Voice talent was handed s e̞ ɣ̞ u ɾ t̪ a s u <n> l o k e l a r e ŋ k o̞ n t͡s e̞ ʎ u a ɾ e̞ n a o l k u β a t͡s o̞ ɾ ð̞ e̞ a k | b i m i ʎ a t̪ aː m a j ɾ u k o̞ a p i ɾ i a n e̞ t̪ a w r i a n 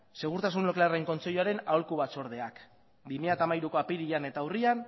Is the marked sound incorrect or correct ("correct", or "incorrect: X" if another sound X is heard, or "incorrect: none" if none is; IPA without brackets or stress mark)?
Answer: correct